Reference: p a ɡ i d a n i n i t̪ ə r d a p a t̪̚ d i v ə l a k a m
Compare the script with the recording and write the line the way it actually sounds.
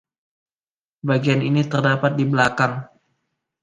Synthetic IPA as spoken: b a ɡ i a n i n i t̪ ə r d a p a t̪̚ d i b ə l a k a ŋ